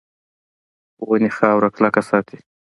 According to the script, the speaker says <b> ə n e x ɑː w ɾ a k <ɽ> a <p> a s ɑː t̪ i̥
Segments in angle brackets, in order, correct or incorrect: incorrect: w, incorrect: l, incorrect: k

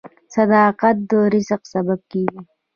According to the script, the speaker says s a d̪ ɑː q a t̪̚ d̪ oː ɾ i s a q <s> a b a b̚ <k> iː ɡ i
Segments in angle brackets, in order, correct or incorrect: correct, correct

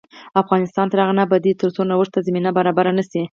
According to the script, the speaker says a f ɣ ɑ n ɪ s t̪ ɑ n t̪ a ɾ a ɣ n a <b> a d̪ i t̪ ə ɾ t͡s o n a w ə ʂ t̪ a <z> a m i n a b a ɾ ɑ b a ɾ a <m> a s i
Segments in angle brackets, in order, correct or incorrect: correct, correct, incorrect: n

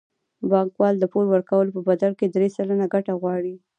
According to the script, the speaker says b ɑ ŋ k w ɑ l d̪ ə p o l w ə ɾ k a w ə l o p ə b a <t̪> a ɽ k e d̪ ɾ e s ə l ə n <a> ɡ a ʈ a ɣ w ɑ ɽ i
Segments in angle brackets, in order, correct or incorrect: incorrect: d̪, correct

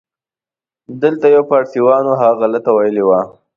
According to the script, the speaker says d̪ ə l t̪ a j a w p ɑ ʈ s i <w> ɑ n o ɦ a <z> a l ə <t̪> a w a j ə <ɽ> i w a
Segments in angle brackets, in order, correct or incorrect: correct, incorrect: ɣ, correct, incorrect: l

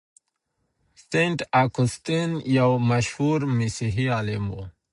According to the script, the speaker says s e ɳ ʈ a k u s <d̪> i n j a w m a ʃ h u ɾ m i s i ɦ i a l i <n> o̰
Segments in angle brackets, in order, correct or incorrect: incorrect: t̪, incorrect: m

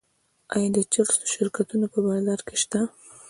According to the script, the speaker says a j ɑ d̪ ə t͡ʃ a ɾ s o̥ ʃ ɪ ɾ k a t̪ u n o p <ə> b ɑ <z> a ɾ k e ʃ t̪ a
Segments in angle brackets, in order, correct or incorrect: correct, correct

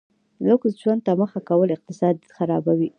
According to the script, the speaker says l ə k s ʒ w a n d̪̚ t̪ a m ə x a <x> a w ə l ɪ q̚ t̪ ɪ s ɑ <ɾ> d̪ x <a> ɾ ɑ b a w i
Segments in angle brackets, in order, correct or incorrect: incorrect: k, incorrect: none, correct

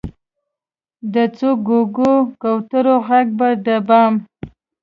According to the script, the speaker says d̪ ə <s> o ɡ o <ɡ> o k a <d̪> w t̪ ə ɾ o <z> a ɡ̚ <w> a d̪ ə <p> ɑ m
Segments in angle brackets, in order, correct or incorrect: incorrect: t͡s, correct, incorrect: none, incorrect: ɣ, incorrect: b, incorrect: b

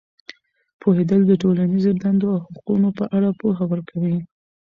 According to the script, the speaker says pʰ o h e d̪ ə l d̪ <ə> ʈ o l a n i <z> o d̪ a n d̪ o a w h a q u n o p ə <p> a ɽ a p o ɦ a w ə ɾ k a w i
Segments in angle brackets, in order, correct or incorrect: correct, correct, incorrect: ʔ

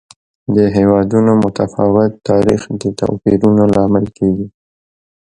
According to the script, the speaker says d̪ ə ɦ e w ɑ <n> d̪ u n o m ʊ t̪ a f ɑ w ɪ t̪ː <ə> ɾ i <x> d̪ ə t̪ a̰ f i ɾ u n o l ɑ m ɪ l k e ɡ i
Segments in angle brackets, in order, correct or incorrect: incorrect: none, incorrect: ɑ, correct

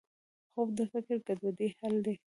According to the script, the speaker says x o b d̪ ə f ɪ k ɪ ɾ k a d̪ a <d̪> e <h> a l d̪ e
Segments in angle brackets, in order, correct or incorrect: correct, correct

